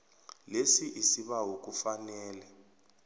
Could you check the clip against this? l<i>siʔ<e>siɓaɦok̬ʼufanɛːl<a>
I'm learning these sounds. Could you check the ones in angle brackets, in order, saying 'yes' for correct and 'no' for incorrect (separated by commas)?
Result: no, no, no